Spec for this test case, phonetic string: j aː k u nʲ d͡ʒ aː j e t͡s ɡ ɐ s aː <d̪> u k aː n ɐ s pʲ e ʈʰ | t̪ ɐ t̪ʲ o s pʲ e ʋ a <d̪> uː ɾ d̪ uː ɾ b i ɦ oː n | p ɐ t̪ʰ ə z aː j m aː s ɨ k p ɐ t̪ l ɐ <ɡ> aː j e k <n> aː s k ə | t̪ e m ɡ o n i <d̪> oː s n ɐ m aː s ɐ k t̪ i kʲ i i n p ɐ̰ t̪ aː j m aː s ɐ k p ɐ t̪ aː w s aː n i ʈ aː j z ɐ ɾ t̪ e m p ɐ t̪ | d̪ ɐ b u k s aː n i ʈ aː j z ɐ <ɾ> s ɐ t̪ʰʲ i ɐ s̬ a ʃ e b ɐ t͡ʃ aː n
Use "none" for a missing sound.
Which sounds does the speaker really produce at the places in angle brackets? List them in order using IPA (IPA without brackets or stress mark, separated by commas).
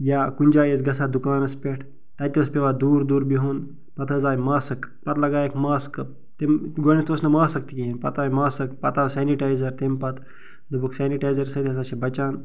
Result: d̪, d̪, ɡ, m, t̪, ɾ